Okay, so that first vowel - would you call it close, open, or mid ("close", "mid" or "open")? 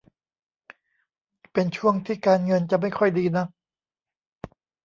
mid